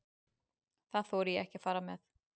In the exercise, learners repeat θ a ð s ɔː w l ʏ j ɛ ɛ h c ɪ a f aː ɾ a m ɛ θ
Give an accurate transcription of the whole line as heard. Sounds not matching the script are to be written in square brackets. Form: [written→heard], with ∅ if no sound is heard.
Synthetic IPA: θ a ð [s→θ] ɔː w [l→ɾ] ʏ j ɛ ɛ h c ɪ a f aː ɾ a m ɛ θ